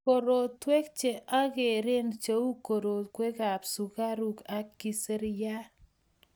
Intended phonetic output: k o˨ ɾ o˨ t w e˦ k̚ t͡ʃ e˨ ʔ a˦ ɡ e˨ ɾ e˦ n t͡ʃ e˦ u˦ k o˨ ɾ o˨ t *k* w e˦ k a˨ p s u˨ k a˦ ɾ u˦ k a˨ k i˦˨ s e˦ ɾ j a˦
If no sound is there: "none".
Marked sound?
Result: k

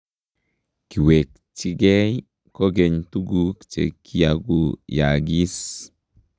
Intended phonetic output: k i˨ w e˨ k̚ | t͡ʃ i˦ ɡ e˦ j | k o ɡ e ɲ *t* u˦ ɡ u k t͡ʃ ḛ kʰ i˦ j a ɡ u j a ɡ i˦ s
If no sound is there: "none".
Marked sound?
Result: t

